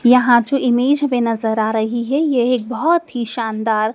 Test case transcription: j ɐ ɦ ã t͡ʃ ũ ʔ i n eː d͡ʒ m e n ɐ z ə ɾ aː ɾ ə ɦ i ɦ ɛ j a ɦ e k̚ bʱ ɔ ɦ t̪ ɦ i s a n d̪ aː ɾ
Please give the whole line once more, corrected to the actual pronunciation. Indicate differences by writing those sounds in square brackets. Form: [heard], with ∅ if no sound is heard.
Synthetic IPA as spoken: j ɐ ɦ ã t͡ʃ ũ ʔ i [m] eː d͡ʒ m e n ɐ z ə ɾ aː ɾ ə ɦ i ɦ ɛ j [e] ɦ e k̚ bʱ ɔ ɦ t̪ ɦ i [ʃ] a n d̪ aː ɾ